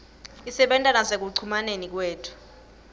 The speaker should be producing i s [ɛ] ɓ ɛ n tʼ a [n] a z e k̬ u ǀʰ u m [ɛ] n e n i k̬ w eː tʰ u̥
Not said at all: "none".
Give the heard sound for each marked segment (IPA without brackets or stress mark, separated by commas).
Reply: ɛ, n, a